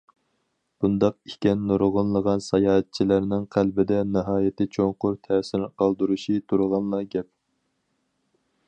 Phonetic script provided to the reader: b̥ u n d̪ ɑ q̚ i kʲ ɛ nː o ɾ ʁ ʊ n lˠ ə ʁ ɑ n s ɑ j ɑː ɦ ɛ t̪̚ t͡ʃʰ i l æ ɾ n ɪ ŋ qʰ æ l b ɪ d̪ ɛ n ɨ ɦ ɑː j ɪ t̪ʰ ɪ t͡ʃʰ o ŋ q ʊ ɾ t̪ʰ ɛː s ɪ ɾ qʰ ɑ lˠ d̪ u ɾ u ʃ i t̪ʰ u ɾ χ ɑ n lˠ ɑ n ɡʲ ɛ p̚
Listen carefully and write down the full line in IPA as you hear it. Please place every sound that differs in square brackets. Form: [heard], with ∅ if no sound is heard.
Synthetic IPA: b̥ u n d̪ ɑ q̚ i kʲ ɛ nː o ɾ ʁ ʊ n lˠ ə ʁ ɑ n s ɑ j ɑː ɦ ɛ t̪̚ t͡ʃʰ i l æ ɾ n ɪ ŋ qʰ æ l b ɪ d̪ ɛ n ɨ ɦ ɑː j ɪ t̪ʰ ɪ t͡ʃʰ o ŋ q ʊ ɾ t̪ʰ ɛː s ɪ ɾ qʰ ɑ lˠ d̪ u ɾ u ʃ i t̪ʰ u ɾ [ʁ] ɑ n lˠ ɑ [∅] ɡʲ ɛ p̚